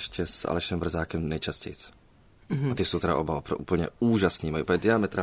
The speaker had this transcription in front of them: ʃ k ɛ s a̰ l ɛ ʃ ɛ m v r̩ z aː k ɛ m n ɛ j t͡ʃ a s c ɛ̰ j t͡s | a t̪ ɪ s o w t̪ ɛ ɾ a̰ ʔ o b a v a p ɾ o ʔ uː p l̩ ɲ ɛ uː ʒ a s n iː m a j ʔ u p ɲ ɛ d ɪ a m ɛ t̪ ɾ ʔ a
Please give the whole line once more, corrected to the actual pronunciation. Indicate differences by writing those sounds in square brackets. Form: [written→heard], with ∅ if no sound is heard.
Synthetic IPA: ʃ [k→c] ɛ s a̰ l ɛ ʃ ɛ m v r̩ z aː k ɛ m n ɛ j t͡ʃ a s c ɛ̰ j t͡s | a t̪ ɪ s o w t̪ ɛ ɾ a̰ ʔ o b a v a p ɾ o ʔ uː p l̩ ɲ ɛ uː ʒ a s n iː m a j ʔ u p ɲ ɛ d ɪ a m ɛ t̪ ɾ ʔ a